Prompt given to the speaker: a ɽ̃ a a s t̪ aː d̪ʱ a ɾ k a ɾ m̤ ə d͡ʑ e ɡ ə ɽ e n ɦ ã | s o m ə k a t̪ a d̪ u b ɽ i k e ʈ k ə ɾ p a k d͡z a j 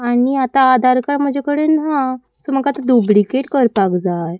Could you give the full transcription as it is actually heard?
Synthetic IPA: a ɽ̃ i a t̪ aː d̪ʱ a ɾ k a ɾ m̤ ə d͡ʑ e k ə ɽ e n ɦ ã | s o m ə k a t̪ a d̪ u b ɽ i k e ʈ k ə ɾ p a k d͡z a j